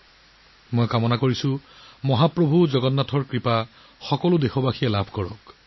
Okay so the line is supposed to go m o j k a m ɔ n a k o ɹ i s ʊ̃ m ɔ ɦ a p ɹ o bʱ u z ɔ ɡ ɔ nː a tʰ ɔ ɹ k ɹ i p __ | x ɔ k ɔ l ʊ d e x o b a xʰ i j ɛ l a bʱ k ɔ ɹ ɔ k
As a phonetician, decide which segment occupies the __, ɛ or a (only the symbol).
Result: a